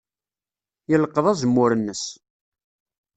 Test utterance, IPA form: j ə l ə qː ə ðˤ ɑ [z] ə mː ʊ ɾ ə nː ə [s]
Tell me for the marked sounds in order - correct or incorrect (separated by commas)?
correct, correct